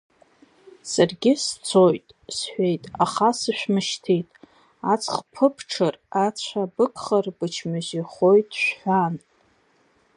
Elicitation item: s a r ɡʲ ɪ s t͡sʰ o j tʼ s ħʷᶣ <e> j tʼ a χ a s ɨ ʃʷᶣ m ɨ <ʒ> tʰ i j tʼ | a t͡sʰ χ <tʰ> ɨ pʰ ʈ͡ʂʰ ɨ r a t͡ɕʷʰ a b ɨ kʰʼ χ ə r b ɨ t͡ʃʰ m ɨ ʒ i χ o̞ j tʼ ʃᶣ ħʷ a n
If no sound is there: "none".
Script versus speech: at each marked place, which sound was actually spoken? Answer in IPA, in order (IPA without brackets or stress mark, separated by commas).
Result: e, ʃ, pʰ